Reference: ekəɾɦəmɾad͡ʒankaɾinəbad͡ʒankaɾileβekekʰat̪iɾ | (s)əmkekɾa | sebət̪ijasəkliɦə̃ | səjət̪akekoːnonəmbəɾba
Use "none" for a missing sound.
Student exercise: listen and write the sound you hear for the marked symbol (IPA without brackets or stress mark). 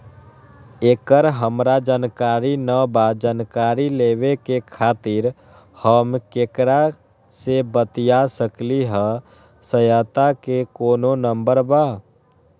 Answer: h